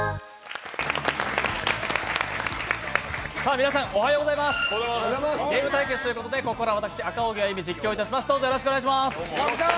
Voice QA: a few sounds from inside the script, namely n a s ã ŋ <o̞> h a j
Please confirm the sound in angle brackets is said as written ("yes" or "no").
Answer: yes